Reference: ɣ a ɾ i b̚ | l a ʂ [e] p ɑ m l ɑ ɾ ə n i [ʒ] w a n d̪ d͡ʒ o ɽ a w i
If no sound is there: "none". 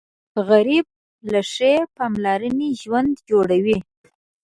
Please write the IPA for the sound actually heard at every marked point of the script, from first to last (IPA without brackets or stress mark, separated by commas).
e, ʒ